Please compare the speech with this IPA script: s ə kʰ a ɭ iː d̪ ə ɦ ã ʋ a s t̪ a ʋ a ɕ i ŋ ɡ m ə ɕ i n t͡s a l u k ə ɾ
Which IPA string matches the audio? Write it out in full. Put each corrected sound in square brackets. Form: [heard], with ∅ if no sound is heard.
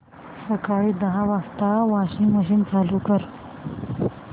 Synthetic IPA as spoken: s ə [k] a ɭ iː d̪ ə ɦ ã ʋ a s t̪ a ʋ a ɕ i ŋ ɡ m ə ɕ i n t͡s a l u k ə ɾ